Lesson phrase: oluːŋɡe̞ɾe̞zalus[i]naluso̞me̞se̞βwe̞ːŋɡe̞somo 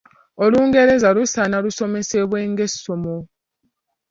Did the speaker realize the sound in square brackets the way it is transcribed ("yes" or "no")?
no